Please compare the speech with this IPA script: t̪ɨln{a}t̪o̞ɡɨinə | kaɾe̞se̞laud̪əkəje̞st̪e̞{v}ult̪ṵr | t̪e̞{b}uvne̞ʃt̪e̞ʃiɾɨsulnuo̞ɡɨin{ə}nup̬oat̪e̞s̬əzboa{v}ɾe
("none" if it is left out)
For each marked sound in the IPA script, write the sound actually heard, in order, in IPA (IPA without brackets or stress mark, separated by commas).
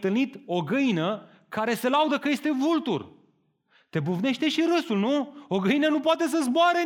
i, v, b, ə, none